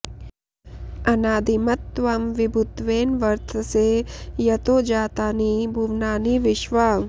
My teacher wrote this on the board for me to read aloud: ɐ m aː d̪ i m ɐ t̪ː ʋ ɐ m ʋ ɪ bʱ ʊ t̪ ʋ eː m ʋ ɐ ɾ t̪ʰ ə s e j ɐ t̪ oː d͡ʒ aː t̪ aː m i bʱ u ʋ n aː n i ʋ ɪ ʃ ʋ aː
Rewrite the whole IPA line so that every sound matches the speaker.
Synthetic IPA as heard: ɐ n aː d̪ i m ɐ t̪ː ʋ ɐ m ʋ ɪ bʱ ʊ t̪ ʋ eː n ʋ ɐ ɾ t̪ʰ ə s e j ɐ t̪ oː d͡ʒ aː t̪ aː n i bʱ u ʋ n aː n i ʋ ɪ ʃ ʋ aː